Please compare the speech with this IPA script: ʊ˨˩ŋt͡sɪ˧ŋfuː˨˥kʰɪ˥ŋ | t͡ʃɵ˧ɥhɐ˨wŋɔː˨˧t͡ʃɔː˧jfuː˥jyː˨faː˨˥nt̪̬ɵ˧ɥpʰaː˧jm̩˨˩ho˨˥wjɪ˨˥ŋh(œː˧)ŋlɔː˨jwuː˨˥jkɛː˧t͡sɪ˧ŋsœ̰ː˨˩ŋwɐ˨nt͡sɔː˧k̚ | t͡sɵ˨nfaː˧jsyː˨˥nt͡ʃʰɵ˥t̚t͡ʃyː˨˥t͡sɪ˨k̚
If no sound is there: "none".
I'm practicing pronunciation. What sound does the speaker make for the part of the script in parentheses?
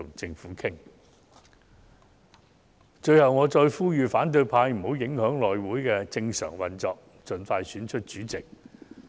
œː˨˥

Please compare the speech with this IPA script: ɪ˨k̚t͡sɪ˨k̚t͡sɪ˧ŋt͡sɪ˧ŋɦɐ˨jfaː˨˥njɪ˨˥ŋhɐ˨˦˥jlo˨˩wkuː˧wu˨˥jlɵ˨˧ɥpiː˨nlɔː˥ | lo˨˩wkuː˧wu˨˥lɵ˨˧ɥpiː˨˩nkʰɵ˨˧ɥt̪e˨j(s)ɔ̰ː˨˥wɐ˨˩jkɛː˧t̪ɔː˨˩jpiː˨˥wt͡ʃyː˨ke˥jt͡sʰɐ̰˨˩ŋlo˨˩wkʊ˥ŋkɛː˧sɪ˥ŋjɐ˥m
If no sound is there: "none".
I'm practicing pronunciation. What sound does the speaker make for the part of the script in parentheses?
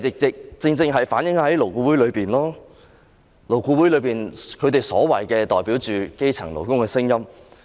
s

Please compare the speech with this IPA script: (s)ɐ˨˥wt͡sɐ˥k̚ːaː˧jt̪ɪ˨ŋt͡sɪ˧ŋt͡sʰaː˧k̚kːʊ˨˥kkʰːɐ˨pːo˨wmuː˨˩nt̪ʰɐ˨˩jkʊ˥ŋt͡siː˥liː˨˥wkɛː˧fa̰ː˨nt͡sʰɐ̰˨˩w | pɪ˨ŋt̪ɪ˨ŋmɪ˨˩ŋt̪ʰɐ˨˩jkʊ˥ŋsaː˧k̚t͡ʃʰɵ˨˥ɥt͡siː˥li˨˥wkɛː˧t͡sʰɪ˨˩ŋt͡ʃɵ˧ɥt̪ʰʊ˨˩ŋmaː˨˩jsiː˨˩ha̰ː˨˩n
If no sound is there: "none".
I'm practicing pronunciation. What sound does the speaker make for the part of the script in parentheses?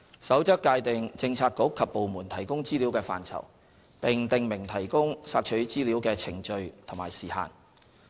s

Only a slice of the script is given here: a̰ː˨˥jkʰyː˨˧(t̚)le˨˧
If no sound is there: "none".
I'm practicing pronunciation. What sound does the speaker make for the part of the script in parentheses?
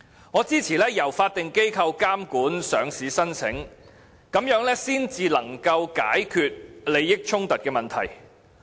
t̚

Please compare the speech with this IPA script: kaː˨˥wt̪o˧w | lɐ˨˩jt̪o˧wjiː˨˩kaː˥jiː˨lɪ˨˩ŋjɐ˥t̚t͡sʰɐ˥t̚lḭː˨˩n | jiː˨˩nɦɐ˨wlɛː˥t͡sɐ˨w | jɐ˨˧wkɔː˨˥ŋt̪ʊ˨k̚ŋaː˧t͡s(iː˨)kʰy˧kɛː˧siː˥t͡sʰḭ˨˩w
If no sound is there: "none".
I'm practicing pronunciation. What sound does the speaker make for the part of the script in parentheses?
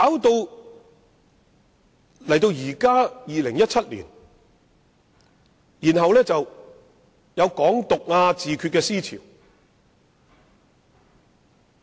iː˨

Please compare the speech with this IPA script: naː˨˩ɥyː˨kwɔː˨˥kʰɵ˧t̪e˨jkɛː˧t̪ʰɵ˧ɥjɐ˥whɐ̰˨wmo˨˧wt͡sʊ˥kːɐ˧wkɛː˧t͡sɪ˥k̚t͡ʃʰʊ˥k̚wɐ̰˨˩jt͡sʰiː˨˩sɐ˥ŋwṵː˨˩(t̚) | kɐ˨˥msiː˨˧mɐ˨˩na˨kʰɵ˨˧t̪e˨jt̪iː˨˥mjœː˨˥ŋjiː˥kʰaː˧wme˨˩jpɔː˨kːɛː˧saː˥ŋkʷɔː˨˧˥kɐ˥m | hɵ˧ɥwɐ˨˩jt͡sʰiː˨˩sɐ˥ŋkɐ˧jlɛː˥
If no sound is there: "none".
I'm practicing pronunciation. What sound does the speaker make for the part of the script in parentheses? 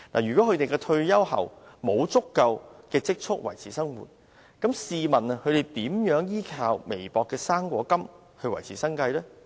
t̚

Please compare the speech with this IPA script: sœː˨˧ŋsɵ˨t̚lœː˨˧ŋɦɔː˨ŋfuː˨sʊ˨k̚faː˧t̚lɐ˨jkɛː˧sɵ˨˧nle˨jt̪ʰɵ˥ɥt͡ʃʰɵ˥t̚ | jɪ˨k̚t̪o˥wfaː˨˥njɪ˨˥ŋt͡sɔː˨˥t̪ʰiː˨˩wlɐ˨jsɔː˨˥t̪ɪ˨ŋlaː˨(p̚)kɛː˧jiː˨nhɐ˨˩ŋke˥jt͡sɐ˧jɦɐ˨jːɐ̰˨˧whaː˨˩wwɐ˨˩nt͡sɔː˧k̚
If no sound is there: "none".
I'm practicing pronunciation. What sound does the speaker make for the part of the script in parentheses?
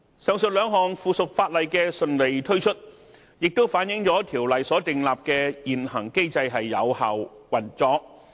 p̚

